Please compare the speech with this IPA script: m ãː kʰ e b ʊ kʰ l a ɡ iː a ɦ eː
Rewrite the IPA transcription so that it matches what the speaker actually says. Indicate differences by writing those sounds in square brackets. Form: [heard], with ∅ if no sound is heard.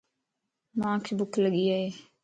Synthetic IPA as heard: m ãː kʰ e b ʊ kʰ l [ə] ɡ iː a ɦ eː